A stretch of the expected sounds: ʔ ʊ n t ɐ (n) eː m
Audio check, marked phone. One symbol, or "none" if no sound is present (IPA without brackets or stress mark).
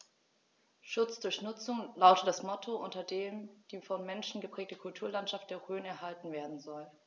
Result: d